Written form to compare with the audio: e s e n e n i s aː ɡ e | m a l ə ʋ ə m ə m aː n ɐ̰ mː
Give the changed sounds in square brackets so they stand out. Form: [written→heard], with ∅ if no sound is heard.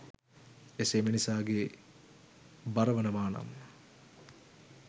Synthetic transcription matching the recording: e s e [n→m] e n i s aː ɡ e | [m→b] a [l→ɾ] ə ʋ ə [m→n] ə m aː n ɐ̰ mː